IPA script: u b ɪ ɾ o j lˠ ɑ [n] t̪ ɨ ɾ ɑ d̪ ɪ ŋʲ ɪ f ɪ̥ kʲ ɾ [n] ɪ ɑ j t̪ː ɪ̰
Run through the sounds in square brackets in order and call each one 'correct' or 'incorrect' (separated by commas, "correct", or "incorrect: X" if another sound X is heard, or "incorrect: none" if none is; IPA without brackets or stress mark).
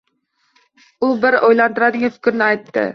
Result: correct, correct